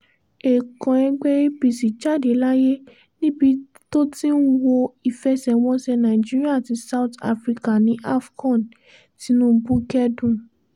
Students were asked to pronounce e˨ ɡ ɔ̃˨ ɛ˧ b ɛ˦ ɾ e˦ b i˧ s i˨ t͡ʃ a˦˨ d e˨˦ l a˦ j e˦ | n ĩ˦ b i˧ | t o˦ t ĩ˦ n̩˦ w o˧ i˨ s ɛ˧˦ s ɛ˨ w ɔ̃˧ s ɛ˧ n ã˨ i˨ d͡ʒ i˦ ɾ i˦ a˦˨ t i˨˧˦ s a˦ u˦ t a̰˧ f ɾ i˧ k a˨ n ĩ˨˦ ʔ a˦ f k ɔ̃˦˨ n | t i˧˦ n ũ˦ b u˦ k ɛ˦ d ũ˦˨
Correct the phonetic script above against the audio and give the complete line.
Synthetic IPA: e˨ k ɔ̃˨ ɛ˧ ɡ͡b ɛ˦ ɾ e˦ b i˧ s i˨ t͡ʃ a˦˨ d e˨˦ l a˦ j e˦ | n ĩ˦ b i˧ | t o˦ t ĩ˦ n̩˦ w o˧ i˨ f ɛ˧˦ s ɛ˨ w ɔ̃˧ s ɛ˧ n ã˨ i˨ d͡ʒ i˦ ɾ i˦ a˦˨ t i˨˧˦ s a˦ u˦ t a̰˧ f ɾ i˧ k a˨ n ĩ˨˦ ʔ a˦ f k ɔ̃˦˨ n | t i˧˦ n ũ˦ b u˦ k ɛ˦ d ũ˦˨